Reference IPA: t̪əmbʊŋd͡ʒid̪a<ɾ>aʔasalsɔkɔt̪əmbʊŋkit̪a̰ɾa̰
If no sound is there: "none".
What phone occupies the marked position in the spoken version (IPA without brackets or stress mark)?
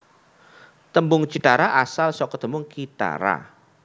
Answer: ɾ